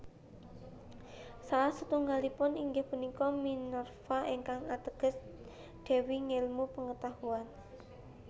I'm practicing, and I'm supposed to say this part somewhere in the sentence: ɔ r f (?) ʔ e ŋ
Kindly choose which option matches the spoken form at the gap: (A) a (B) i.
A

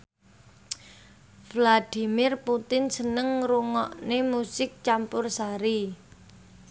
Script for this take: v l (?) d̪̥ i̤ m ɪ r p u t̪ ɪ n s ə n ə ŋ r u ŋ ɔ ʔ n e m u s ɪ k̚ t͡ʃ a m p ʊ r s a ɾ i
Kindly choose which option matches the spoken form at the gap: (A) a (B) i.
A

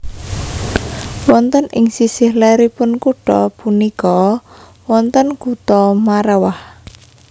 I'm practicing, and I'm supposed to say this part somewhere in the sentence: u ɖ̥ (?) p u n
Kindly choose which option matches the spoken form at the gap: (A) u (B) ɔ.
B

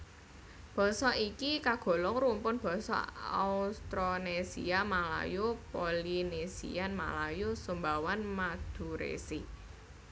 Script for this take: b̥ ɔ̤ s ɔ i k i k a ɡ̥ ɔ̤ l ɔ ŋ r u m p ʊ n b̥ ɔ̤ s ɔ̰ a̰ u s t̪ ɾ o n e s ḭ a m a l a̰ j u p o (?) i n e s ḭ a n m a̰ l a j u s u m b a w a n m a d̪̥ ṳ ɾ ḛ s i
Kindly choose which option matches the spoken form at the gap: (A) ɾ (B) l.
B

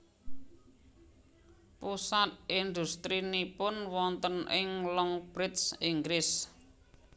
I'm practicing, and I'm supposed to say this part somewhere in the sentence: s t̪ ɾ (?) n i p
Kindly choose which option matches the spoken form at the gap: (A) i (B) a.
A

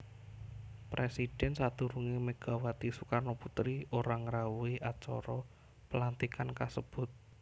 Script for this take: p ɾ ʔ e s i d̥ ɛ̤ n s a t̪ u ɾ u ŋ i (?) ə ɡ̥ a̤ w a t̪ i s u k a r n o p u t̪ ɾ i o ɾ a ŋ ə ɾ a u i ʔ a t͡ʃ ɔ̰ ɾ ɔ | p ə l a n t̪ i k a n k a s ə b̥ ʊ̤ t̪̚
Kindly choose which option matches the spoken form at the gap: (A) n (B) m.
B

